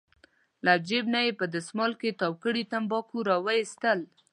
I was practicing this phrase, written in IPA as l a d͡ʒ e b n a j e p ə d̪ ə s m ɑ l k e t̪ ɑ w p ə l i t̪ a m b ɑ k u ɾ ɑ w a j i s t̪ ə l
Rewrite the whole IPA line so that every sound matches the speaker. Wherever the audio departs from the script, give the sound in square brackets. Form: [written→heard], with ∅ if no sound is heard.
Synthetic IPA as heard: l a d͡ʒ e b n a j e p ə d̪ ə s m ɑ l k e t̪ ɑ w [p→k] ə [l→ɽ] i t̪ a m b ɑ k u ɾ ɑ w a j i s t̪ ə l

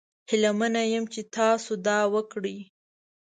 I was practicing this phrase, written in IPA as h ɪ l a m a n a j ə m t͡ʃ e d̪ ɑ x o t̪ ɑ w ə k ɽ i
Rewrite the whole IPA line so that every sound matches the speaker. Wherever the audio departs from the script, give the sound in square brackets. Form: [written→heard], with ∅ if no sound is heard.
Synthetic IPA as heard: h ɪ l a m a n a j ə m t͡ʃ e [d̪→t̪] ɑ [x→s] o [t̪→d̪] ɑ w ə k ɽ i

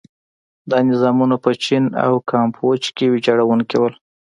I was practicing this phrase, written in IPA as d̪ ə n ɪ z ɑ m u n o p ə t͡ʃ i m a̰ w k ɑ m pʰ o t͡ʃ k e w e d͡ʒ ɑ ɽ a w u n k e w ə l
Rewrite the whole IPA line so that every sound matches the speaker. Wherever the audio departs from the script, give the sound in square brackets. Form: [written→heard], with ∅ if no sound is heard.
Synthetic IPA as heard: d̪ [ə→ɑ] n ɪ z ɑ m u n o p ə t͡ʃ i [m→n] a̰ w k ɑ m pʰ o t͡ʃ k e w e d͡ʒ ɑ ɽ a w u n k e w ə l

